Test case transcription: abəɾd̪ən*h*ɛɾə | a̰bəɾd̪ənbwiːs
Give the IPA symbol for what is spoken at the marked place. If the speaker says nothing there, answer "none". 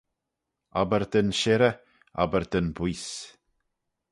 ʃ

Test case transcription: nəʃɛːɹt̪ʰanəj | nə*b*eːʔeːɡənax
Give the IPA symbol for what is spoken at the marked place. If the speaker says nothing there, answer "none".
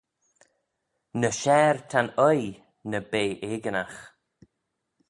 b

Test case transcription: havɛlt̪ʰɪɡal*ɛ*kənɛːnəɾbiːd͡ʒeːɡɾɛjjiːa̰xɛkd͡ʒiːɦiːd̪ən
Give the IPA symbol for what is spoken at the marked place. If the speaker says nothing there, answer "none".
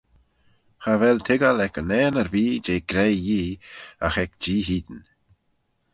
ɛ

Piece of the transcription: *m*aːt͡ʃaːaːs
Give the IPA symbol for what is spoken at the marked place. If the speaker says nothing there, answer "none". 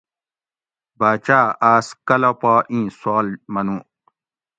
b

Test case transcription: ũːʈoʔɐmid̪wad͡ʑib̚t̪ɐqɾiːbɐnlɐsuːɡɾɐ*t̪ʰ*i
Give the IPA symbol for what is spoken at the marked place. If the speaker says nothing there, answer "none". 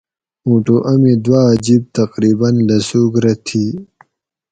t̪ʰ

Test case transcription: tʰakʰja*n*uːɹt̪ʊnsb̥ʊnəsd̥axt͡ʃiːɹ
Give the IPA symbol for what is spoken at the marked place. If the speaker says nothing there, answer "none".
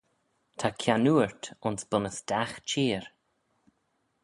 n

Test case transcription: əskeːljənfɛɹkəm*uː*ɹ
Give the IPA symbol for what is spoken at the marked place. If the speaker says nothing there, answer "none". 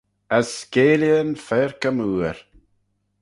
uː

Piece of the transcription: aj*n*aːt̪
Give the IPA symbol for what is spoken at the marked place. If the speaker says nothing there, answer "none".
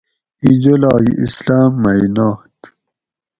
n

